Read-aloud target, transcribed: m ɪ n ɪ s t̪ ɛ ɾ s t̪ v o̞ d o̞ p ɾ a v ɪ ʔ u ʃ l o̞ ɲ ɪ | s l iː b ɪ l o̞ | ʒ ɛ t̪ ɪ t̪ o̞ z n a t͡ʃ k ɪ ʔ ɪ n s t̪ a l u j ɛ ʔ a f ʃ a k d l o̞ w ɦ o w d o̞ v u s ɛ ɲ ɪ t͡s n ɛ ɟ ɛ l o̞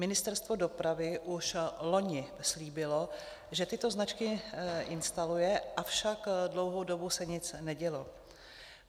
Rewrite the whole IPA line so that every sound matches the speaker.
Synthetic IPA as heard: m ɪ n ɪ s t̪ ɛ ɾ s t̪ v o̞ d o̞ p ɾ a v ɪ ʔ u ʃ l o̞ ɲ ɪ | s l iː b ɪ l o̞ | ʒ ɛ t̪ ɪ t̪ o̞ z n a t͡ʃ k ɪ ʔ ɪ n s t̪ a l u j ɛ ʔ a f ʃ a k d l o̞ w ɦ o w d o̞ b u s ɛ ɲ ɪ t͡s n ɛ ɟ ɛ l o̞